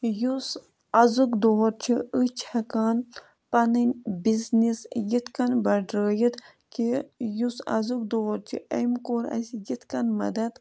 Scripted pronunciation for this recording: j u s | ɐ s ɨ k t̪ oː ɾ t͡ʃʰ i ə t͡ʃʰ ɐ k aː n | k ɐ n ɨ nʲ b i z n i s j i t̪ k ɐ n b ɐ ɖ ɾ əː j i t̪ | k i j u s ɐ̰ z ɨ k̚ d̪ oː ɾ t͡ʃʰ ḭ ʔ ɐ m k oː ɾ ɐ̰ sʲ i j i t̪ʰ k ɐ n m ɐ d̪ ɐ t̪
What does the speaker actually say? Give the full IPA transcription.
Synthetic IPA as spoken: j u s | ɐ z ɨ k d̪ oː ɾ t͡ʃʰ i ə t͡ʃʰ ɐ k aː n | p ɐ n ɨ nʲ b i z n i s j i t̪ k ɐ n b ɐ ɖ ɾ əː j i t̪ | k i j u s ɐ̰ z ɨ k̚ d̪ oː ɾ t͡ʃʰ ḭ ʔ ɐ m k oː ɾ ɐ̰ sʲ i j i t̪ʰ k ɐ n m ɐ d̪ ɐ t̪